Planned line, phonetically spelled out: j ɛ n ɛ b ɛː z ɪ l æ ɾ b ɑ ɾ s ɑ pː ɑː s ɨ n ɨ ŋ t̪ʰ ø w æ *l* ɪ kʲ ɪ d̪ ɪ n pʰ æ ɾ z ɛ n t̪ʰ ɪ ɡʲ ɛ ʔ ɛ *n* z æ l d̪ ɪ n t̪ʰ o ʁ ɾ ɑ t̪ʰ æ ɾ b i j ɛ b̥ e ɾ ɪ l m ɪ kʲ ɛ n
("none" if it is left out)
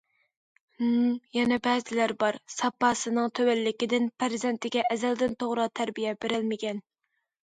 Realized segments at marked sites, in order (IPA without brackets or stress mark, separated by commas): lː, none